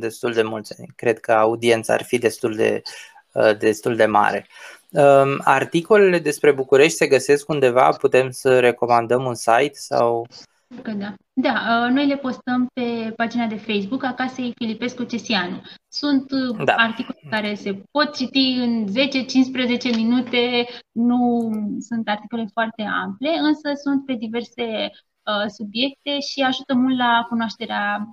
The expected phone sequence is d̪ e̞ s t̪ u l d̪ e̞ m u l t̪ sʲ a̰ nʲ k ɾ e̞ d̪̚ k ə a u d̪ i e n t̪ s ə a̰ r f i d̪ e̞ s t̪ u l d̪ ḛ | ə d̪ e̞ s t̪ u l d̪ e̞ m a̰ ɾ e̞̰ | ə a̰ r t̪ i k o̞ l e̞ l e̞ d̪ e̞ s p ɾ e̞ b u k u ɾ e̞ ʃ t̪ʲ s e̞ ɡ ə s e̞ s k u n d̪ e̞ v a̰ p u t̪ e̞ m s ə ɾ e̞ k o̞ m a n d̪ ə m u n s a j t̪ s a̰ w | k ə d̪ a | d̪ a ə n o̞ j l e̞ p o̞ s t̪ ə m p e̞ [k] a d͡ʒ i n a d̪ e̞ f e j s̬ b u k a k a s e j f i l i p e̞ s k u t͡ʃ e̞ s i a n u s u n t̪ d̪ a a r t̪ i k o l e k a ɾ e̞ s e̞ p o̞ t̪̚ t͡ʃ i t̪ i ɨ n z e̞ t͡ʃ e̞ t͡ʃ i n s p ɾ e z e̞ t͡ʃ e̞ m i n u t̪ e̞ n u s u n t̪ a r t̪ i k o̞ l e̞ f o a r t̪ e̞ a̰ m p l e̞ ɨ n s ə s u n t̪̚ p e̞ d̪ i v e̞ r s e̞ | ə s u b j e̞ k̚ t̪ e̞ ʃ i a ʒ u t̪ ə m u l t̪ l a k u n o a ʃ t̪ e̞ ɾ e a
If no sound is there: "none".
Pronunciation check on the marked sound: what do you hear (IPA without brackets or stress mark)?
p